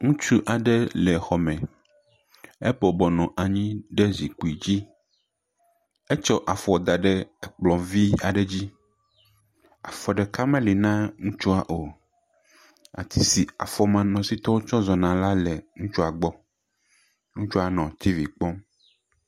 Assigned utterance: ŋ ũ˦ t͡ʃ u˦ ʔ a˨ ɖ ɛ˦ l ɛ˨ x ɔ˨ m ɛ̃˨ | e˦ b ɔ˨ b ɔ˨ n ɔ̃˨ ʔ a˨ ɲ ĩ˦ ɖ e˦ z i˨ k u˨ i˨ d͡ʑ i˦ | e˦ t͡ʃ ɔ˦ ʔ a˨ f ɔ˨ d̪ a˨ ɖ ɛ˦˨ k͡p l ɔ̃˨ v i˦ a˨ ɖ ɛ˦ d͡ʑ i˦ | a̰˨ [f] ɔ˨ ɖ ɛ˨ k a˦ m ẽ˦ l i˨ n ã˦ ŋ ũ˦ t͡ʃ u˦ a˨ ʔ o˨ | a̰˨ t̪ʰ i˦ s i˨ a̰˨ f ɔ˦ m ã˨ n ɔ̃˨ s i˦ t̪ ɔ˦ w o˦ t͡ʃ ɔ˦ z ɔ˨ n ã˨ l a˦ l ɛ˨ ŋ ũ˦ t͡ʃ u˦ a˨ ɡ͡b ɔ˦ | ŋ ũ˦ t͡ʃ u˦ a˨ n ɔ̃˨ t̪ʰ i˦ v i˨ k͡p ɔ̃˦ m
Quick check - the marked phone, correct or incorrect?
correct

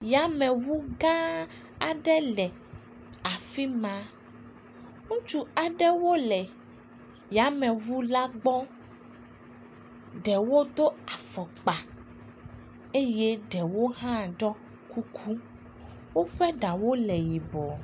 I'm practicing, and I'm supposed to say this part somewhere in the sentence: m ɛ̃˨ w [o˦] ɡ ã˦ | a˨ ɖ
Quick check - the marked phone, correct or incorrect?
incorrect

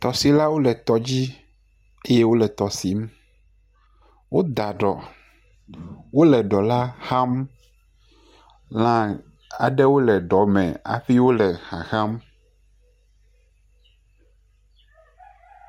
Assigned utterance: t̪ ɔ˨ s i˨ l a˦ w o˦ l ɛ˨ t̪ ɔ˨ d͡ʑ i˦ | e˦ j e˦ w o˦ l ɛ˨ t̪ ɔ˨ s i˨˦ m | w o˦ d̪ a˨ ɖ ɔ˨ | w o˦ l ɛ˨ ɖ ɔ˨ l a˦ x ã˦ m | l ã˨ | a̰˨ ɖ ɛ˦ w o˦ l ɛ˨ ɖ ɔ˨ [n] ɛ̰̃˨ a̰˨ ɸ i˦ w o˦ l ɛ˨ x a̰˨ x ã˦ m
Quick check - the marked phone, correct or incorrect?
incorrect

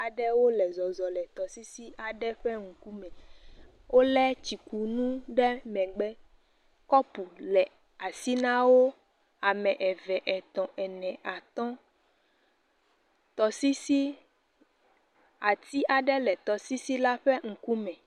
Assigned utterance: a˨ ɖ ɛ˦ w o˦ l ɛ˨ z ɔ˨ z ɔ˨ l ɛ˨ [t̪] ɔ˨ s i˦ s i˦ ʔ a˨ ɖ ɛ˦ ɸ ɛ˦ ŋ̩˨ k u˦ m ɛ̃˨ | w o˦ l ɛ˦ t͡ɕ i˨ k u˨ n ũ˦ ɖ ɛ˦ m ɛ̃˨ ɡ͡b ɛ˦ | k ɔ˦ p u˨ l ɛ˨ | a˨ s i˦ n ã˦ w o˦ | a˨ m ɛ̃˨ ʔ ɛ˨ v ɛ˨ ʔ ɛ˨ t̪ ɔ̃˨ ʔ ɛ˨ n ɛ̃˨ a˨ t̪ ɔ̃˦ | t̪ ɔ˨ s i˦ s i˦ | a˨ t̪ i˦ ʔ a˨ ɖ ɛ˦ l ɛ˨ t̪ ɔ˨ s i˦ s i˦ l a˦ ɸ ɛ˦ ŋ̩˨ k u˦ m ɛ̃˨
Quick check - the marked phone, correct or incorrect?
correct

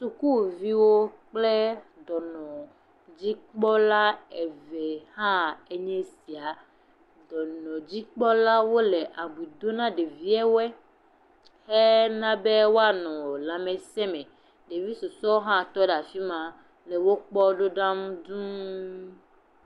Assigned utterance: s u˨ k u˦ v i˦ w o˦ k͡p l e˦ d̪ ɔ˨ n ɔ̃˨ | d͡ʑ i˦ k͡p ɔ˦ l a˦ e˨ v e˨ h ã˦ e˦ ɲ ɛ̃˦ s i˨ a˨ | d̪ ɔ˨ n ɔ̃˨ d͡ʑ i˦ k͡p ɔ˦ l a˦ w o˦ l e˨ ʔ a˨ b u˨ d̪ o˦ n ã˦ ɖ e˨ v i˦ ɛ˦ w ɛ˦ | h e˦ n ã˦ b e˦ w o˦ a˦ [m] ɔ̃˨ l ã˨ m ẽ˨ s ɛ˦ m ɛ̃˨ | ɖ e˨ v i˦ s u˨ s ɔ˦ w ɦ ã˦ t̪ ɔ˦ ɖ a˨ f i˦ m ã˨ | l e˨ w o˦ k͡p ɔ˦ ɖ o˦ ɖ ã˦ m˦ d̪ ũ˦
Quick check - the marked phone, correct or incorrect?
incorrect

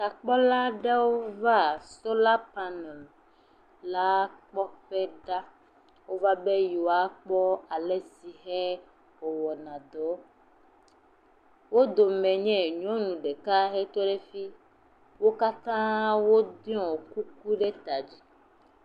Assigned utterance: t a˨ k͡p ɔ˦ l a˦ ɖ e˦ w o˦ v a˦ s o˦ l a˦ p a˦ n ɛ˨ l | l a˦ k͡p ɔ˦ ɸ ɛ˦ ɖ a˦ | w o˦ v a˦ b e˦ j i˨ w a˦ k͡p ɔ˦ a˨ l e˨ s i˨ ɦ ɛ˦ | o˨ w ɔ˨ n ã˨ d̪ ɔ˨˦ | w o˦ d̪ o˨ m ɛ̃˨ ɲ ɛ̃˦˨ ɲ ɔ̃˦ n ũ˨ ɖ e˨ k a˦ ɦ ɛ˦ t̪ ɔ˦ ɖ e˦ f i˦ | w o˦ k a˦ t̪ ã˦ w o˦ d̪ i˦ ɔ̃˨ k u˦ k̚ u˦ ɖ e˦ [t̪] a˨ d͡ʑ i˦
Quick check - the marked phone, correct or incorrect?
correct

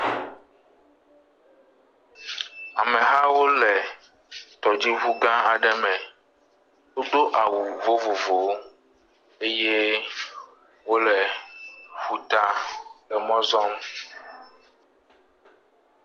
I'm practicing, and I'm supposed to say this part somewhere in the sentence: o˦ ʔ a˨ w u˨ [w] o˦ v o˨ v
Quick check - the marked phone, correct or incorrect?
incorrect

